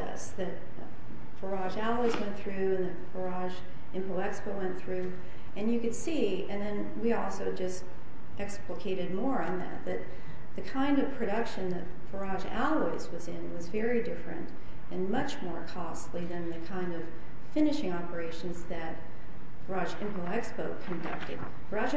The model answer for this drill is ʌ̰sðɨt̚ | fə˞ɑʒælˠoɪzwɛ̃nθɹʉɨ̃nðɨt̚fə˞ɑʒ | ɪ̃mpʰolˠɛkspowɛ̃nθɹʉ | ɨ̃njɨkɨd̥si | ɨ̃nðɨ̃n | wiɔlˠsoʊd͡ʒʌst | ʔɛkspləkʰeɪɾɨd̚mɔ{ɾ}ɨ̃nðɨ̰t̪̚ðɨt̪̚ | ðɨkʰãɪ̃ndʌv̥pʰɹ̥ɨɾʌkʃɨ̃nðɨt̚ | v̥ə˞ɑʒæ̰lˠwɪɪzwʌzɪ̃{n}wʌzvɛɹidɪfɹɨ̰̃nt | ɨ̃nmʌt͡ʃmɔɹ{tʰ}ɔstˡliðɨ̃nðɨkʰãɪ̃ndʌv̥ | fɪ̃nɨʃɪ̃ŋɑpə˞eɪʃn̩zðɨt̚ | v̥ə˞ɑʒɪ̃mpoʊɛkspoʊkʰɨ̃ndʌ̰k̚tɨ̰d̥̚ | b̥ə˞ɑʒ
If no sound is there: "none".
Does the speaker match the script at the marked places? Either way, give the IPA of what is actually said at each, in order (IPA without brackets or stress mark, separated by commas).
ɹ, n, kʰ